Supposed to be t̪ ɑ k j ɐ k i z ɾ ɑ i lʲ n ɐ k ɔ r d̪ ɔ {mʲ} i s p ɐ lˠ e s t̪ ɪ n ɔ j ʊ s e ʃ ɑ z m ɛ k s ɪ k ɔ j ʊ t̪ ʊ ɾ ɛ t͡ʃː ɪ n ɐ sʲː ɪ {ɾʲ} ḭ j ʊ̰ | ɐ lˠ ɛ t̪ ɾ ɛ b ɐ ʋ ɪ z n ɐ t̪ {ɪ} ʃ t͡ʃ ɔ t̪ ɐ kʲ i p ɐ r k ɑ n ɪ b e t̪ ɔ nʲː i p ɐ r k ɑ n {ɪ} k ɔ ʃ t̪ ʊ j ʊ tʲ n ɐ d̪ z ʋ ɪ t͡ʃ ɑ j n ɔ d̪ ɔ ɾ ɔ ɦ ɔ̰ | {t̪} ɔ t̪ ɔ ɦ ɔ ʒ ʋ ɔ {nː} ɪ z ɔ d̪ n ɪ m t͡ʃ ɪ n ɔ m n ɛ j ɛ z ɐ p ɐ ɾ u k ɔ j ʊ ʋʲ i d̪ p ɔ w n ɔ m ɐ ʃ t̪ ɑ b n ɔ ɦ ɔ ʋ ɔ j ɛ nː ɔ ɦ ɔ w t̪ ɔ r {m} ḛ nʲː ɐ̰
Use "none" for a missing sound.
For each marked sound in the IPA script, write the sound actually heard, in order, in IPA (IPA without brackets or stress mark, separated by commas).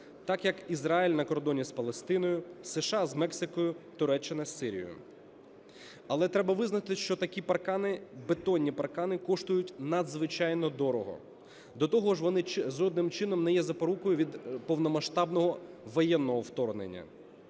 nʲ, ɾʲ, ɪ, ɪ, d̪, n, n